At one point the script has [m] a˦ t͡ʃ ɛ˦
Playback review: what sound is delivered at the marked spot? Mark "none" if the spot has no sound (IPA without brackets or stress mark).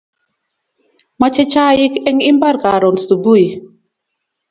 m